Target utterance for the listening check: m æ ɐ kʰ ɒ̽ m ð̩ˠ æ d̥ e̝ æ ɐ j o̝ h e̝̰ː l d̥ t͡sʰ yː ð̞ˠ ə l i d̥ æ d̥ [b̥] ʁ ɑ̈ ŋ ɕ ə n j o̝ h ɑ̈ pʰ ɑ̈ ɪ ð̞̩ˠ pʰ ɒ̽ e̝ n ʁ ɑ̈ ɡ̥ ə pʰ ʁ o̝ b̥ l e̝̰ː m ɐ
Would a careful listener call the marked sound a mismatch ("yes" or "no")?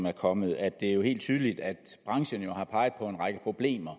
no